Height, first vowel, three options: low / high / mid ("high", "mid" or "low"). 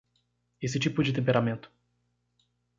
mid